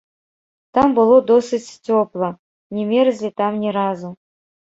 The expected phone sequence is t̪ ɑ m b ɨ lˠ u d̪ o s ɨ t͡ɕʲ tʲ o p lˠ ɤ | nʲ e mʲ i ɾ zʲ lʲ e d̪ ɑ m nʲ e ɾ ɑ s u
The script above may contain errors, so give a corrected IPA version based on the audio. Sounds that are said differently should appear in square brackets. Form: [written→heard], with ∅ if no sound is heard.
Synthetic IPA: t̪ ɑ m b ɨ lˠ [u→o] d̪ o s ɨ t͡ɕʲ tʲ o p lˠ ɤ | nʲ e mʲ [i→e] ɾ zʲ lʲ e [d̪→t̪] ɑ m nʲ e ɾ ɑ [s→z] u